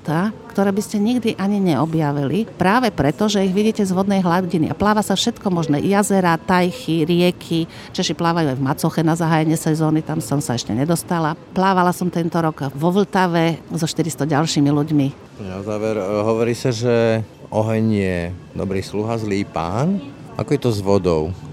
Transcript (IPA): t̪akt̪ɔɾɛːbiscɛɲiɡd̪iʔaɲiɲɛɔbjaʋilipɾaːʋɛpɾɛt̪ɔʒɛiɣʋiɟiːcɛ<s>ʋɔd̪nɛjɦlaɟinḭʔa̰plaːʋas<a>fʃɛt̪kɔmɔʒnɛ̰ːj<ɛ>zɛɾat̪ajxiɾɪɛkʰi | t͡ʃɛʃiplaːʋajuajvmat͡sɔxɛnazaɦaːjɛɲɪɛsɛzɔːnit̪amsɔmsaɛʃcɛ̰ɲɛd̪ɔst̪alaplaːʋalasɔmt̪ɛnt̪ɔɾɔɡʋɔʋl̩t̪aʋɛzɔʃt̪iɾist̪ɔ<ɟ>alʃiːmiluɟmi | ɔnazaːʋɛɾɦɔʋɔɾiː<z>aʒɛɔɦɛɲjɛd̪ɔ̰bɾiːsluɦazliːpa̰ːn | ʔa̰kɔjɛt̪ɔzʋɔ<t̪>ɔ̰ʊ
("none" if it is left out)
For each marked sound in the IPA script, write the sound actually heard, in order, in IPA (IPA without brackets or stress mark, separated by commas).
z, a, a, ɟ, s, d̪